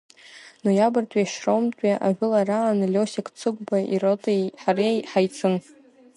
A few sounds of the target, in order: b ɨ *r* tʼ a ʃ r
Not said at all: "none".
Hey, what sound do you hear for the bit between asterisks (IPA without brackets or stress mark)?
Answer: r